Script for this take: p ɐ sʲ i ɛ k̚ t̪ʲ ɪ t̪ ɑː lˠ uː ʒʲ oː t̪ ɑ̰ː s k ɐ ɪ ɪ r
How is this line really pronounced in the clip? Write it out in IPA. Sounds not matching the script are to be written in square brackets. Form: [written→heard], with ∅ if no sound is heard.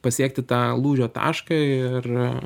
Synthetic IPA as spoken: p ɐ sʲ i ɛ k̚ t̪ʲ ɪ t̪ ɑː lˠ uː ʒʲ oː t̪ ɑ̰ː [s→ʃ] k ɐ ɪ ɪ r